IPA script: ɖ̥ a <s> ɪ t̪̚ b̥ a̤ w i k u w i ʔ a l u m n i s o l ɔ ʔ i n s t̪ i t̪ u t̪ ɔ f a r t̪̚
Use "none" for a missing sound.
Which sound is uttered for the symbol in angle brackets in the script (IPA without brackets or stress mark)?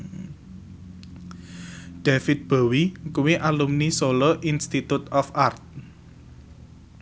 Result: f